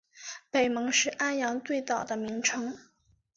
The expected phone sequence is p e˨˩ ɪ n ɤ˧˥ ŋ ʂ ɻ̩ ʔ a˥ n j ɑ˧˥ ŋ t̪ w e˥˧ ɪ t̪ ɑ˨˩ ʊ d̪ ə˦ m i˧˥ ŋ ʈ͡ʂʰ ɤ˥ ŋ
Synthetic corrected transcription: p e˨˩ ɪ m ɤ˧˥ ŋ ʂ ɻ̩ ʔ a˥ n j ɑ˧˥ ŋ t̪ w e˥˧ ɪ t̪ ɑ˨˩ ʊ d̪ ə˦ m i˧˥ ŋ ʈ͡ʂʰ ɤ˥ ŋ